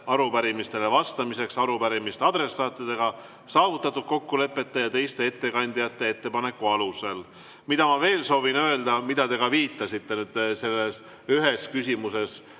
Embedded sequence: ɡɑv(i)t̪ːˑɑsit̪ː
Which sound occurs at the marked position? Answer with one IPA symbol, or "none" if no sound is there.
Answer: iː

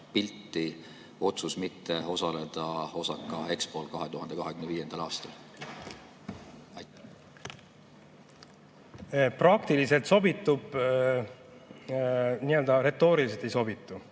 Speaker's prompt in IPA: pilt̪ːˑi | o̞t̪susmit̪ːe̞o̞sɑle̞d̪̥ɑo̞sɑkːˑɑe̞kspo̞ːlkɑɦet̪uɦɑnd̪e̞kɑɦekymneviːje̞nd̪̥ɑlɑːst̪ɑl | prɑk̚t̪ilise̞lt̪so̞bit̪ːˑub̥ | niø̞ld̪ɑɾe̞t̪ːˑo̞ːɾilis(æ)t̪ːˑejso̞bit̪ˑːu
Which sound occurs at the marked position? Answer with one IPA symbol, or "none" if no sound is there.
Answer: e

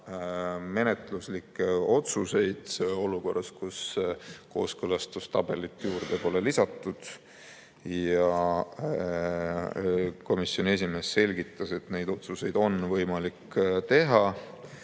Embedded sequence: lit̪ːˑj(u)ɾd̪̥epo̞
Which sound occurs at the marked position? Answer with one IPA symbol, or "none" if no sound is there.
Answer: uː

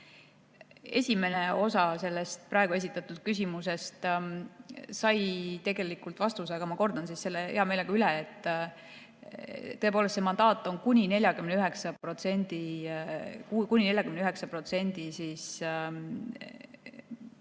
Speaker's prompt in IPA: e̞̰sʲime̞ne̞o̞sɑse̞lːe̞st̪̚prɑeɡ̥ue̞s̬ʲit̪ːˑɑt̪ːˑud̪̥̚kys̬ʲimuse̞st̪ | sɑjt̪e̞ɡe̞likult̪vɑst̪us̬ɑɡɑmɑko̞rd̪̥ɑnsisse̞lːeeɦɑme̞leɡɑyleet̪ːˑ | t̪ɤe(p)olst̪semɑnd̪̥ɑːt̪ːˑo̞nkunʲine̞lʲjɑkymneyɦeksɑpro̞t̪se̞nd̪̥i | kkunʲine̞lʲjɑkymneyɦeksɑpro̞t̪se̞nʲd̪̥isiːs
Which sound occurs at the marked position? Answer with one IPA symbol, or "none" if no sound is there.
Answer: p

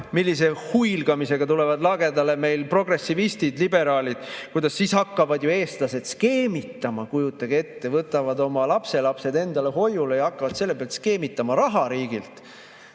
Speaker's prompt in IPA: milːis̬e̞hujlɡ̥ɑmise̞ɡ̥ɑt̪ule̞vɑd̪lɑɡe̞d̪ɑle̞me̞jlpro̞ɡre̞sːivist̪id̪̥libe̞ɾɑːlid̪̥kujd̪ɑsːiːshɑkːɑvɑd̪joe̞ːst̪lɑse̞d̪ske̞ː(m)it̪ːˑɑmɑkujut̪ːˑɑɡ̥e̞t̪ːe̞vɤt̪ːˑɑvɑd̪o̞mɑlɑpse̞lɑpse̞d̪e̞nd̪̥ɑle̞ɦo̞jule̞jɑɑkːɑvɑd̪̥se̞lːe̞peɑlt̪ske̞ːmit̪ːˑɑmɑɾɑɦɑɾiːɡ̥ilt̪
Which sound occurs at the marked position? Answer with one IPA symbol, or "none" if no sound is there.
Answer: m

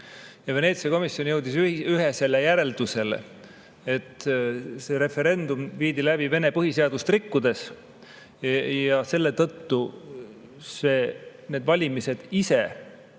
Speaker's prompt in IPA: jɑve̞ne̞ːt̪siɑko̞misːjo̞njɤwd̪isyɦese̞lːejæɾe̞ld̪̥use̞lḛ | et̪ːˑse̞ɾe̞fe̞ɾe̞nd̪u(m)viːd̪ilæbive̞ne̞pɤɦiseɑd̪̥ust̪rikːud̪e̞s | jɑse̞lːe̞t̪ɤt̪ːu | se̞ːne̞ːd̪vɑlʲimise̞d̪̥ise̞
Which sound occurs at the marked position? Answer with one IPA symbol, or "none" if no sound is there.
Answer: m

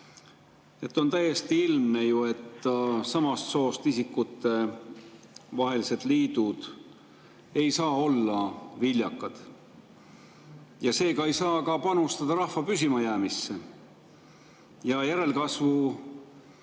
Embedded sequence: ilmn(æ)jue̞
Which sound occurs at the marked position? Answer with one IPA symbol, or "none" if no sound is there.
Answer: e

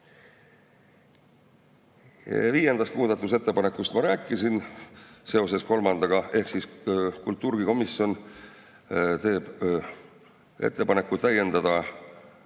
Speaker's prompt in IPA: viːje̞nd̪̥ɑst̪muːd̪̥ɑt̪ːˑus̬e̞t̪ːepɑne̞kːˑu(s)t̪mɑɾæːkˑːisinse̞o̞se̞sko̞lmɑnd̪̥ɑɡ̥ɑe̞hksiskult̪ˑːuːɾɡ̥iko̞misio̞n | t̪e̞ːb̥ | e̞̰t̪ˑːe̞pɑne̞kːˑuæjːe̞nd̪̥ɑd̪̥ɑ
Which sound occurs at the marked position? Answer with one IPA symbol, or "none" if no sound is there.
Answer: s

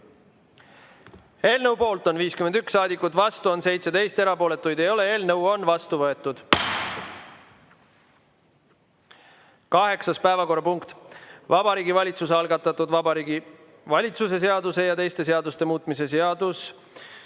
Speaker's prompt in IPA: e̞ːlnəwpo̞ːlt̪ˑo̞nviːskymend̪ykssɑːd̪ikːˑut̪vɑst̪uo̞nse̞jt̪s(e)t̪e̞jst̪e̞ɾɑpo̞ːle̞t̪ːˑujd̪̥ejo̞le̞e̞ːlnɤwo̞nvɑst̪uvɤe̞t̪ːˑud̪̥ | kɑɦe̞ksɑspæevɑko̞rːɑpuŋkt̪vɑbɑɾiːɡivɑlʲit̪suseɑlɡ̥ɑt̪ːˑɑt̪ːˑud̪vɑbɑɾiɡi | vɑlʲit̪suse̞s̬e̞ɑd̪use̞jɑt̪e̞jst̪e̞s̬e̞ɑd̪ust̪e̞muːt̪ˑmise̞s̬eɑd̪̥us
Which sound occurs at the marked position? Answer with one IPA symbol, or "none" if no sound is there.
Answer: e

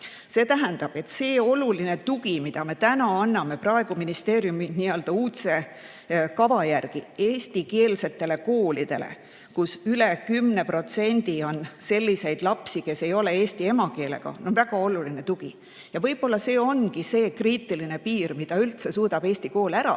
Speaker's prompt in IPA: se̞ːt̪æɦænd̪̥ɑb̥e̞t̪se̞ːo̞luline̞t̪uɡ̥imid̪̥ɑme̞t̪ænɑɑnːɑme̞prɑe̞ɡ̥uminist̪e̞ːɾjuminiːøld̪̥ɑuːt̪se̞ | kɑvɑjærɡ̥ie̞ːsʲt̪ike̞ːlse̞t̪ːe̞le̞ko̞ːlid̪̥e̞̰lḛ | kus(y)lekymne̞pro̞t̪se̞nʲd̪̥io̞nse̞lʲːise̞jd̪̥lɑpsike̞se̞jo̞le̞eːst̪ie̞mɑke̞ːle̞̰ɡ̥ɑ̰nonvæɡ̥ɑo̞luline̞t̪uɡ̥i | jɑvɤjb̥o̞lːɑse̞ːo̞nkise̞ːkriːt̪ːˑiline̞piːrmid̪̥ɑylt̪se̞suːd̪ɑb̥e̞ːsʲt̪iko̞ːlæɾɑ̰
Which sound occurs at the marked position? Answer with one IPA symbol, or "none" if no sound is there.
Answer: y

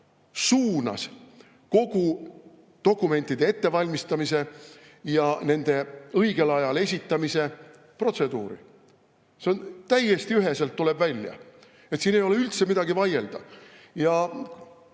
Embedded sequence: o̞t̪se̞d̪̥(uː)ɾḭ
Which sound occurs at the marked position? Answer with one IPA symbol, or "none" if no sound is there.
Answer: uː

